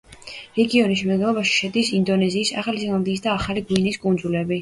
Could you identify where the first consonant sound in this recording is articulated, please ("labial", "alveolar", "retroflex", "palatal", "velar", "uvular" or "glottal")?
alveolar